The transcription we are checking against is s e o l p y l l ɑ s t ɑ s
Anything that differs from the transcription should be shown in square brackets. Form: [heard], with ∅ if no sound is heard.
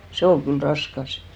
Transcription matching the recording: s e o l [k] y l [r] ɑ s [k] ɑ s